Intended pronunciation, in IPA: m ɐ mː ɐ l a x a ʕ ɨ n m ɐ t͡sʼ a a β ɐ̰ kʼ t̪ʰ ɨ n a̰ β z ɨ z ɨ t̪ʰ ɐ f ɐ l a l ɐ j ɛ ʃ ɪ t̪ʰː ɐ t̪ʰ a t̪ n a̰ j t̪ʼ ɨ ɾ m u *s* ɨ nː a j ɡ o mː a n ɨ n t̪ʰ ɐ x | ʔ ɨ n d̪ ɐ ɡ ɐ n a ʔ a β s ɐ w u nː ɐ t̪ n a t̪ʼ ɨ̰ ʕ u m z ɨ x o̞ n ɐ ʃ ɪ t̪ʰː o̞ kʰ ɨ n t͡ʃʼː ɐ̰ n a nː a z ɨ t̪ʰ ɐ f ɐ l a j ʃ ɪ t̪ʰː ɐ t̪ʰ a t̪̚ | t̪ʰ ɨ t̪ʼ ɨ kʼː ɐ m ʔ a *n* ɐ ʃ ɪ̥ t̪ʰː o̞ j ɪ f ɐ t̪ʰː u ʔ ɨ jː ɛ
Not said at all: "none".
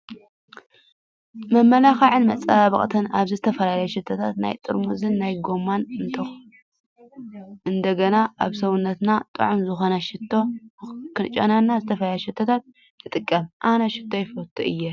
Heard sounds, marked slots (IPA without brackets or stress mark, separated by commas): z, n